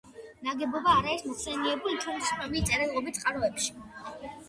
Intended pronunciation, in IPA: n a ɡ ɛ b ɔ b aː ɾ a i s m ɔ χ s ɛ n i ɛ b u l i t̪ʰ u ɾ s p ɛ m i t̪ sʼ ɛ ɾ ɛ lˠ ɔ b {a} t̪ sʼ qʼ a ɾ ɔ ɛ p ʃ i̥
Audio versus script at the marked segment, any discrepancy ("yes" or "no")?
yes